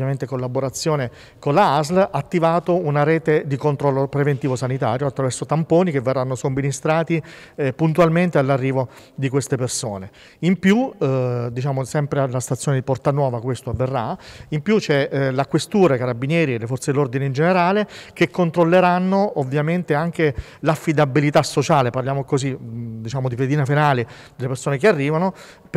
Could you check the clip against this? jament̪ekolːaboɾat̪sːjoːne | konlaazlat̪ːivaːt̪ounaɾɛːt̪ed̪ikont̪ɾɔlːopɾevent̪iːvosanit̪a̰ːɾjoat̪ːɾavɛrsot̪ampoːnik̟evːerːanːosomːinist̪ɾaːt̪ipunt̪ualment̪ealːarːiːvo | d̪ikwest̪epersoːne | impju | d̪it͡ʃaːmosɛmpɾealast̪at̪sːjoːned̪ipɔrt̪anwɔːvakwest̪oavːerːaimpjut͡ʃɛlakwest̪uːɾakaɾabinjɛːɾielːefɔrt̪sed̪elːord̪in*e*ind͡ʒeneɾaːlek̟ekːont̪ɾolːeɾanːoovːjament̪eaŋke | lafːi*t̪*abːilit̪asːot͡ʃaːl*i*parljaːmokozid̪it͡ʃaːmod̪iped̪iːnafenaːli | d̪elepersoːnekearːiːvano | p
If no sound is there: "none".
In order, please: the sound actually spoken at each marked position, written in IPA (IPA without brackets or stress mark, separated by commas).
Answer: e, d̪, e